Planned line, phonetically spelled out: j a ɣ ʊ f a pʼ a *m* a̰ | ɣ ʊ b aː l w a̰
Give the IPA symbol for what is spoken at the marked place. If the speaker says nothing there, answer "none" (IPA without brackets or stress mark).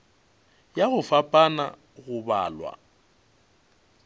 n